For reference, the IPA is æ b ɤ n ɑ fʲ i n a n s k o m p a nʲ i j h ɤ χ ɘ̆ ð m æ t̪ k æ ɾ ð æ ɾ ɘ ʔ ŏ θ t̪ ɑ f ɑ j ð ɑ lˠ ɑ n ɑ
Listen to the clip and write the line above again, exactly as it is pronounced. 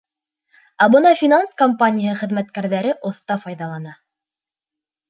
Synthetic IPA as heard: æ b ɤ n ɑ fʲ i n a n s k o m p a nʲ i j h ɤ χ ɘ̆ ð m æ t̪ k æ ɾ ð æ ɾ ɘ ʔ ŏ θ t̪ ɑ f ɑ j ð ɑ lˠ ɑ n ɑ